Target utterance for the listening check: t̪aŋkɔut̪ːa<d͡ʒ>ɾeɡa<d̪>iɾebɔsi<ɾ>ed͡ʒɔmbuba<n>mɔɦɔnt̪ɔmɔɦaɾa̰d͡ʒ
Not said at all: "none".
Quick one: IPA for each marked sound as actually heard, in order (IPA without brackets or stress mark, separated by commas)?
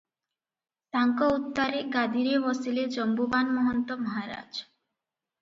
none, d̪, l, n